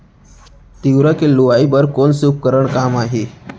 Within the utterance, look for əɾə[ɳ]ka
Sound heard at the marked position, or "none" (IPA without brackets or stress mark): ɳ